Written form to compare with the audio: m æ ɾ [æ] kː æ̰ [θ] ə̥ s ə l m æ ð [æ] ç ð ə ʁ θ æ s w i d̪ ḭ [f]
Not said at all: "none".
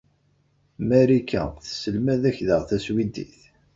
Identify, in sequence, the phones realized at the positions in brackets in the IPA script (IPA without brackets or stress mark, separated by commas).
i, θ, æ, θ